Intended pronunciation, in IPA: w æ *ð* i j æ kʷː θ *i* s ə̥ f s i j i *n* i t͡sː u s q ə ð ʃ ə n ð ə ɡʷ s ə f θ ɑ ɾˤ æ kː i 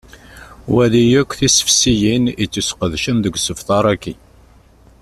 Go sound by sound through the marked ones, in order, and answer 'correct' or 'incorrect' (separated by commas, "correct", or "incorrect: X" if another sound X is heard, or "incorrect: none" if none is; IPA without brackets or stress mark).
correct, correct, correct